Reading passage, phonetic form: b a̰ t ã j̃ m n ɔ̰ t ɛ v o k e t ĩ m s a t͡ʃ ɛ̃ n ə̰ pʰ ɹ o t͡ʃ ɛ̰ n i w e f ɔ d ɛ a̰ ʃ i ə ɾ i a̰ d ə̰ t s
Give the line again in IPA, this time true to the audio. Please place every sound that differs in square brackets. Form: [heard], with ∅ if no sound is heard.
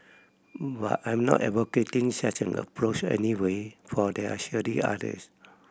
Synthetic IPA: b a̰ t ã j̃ m n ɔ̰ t ɛ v o k e t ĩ [ŋ] s a t͡ʃ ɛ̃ n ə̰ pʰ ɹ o t͡ʃ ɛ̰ n i w e f ɔ d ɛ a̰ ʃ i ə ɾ i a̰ d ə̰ [∅] s